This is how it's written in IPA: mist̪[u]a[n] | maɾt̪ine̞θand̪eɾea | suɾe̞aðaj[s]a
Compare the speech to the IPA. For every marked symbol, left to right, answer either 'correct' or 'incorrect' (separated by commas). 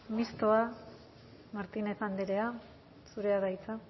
incorrect, incorrect, incorrect